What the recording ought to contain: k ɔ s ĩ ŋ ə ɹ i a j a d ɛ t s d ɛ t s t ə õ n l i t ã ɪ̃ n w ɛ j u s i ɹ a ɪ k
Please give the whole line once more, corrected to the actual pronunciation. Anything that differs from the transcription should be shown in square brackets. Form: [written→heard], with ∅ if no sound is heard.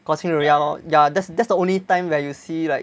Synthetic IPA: k ɔ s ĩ ŋ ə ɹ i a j a d ɛ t s d ɛ t s [t→d] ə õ n l i t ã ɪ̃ [n→m] w ɛ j u s i [ɹ→l] a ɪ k